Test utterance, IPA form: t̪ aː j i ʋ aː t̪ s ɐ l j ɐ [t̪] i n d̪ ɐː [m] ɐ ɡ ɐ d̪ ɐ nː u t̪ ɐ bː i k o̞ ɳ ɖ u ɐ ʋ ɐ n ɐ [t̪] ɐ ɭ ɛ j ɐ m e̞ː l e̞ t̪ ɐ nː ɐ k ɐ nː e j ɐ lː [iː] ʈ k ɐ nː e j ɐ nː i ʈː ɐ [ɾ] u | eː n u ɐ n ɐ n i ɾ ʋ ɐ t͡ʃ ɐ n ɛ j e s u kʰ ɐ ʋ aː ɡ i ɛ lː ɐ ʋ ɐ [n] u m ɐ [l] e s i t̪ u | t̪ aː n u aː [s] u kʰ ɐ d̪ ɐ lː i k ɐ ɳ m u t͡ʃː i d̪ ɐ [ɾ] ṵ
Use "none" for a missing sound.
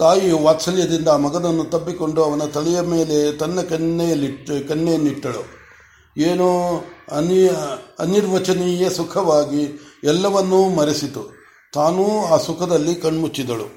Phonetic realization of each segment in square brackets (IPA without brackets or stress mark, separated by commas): d̪, m, t̪, i, ɭ, nː, ɾ, s, ɭ